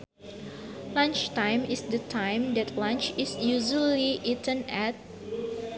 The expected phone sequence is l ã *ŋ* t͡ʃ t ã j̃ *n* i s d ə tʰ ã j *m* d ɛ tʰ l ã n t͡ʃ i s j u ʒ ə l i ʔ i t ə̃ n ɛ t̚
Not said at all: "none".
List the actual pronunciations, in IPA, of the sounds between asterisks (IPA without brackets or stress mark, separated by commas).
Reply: n, m, m